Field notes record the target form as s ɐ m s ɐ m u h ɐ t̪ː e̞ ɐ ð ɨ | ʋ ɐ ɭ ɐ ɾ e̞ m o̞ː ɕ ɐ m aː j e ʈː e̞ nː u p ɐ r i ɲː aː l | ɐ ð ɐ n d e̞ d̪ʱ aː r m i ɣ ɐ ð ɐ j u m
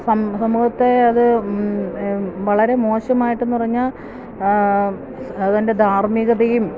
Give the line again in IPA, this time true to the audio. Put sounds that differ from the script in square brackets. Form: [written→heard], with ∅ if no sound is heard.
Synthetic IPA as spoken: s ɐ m s ɐ m u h ɐ t̪ː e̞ ɐ ð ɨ | ʋ ɐ ɭ ɐ ɾ e̞ m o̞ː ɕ ɐ m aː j [e→i] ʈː e̞ nː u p ɐ r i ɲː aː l | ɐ ð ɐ n d e̞ d̪ʱ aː r m i ɣ ɐ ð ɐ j u m